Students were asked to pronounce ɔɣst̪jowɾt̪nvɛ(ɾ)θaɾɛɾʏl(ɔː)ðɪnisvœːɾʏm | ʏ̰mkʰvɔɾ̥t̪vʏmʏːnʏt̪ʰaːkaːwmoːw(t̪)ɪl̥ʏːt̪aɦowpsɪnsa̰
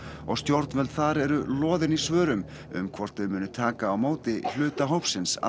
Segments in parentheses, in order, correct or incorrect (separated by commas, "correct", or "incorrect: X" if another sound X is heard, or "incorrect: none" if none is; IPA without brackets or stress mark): incorrect: l, correct, correct